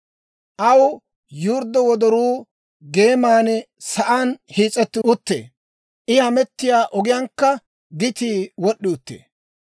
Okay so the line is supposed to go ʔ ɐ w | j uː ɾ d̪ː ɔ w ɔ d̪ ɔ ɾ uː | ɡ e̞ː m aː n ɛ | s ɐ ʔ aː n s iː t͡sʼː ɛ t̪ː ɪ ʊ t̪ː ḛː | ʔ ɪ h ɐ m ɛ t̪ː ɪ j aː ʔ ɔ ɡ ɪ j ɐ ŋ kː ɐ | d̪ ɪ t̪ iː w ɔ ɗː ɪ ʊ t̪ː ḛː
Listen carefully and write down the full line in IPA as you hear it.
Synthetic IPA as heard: ʔ ɐ w | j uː ɾ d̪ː ɔ w ɔ d̪ ɔ ɾ uː | ɡ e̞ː m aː n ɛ | s ɐ ʔ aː n h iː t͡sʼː ɛ t̪ː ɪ ʊ t̪ː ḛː | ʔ ɪ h ɐ m ɛ t̪ː ɪ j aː ʔ ɔ ɡ ɪ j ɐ ŋ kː ɐ | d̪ ɪ t̪ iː w ɔ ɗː ɪ ʊ t̪ː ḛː